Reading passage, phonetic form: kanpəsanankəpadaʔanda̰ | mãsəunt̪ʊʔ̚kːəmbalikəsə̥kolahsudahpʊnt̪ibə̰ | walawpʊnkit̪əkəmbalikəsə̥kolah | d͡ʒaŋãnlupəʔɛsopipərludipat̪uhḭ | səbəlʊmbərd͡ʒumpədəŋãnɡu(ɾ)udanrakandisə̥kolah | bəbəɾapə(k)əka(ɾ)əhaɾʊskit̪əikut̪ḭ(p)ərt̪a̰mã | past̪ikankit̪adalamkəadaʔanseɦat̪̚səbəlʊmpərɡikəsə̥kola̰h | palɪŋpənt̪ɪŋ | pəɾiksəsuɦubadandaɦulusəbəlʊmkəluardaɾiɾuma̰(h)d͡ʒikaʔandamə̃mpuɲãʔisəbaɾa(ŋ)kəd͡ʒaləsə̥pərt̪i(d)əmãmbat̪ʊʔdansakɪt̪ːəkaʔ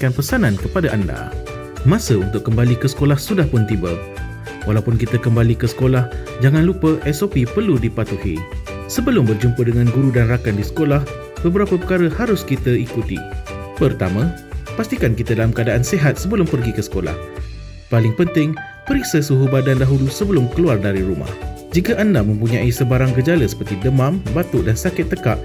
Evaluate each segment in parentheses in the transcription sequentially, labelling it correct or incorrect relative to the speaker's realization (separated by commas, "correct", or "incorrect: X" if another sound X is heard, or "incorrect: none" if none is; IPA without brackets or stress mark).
correct, incorrect: p, correct, correct, correct, correct, correct